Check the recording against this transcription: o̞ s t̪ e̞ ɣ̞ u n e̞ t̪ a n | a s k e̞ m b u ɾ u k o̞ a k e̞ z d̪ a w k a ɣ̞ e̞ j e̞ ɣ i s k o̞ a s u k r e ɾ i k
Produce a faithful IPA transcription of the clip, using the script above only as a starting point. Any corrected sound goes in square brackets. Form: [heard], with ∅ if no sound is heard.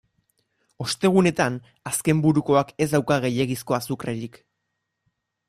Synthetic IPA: o̞ s t̪ e̞ ɣ̞ u n e̞ t̪ a n | a s k e̞ m b u ɾ u k o̞ a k e̞ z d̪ a w k a ɣ̞ e̞ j e̞ ɣ i s k o̞ a s u k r e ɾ i k